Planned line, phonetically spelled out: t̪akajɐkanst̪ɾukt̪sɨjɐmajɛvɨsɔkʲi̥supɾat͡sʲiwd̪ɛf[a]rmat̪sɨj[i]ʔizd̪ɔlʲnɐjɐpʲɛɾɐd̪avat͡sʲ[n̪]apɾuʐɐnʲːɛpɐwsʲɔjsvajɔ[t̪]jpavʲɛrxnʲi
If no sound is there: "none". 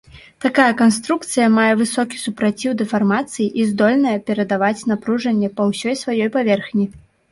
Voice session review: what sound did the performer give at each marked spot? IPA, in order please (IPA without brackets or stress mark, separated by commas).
a, i, n̪, none